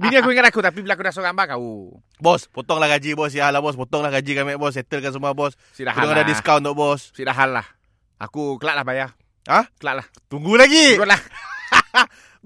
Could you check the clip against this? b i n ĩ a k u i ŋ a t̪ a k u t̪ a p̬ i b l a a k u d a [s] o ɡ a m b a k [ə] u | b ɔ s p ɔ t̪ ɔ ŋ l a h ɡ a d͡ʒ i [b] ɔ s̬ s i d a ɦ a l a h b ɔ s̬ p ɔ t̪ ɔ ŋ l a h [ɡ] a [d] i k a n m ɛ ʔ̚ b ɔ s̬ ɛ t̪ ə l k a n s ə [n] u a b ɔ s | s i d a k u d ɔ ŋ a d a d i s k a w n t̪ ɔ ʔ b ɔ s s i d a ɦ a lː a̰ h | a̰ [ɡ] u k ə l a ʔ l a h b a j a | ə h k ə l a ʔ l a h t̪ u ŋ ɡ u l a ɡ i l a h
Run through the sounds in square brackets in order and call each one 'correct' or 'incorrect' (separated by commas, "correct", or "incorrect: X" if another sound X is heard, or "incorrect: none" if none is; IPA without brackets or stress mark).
correct, incorrect: a, correct, correct, incorrect: d͡ʒ, incorrect: m, incorrect: k